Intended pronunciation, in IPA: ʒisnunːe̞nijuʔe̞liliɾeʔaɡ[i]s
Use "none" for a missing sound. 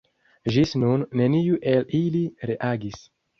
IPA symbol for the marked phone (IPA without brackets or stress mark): i